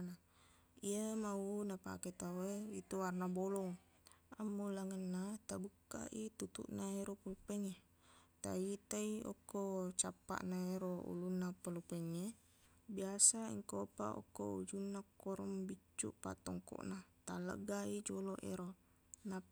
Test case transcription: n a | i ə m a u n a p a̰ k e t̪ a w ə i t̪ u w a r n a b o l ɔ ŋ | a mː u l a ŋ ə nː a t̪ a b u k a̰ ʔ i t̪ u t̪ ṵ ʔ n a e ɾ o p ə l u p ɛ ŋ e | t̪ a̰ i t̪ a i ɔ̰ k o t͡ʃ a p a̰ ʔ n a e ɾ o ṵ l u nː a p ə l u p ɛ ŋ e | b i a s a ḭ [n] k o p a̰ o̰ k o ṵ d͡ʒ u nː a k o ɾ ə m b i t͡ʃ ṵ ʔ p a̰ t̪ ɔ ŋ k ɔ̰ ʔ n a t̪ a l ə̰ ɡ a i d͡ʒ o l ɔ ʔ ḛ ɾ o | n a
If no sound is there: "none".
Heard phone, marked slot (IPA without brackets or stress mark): ŋ